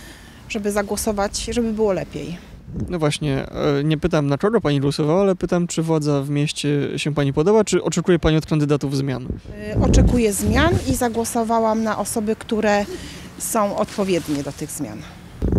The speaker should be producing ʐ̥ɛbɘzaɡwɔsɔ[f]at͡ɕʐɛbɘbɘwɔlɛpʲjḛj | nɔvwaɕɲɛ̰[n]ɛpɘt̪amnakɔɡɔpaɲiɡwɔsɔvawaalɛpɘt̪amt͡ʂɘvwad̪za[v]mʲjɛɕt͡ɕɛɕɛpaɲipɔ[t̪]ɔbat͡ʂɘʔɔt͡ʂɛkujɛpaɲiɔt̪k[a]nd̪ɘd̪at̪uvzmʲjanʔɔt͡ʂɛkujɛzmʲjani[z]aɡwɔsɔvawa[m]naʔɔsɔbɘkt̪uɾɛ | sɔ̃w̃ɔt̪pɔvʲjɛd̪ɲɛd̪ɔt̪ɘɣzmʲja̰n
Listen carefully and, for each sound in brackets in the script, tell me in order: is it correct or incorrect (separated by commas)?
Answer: incorrect, incorrect, correct, incorrect, correct, correct, correct